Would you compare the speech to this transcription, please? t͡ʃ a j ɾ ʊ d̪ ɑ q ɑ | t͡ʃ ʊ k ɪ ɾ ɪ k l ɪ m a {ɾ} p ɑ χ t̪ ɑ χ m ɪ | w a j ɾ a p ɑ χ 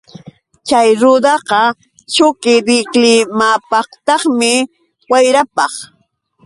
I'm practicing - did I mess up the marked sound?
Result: yes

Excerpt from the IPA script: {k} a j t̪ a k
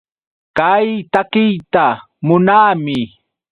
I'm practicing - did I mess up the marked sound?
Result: no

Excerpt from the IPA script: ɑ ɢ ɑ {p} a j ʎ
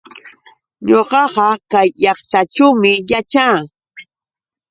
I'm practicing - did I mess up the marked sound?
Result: yes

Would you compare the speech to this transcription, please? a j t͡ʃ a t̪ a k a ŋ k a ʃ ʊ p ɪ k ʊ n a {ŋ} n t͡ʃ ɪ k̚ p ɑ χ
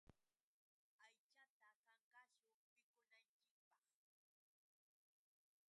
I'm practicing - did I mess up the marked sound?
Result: yes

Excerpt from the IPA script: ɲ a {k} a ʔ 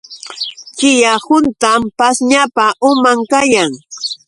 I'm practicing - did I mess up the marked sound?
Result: yes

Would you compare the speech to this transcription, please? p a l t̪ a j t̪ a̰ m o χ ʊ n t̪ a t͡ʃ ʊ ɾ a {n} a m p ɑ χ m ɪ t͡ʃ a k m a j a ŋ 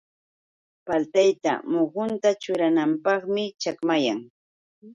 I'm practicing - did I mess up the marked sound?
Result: no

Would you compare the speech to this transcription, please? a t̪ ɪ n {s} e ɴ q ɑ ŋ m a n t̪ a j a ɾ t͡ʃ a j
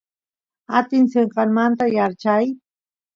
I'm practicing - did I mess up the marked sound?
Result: no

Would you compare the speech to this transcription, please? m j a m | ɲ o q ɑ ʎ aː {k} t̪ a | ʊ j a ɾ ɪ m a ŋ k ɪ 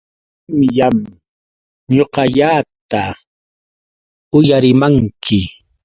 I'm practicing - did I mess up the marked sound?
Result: yes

